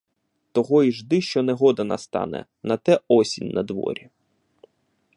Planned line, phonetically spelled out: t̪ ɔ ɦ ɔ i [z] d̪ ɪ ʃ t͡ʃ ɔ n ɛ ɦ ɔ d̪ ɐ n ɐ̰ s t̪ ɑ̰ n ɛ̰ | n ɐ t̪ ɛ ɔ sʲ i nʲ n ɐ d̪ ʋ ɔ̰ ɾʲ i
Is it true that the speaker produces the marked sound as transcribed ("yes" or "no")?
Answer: no